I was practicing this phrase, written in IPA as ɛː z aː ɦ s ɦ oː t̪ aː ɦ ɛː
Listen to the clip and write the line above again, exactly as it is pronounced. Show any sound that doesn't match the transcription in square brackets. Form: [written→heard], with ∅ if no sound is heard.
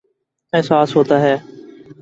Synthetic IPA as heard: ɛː [z→s] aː [ɦ→∅] s ɦ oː t̪ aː ɦ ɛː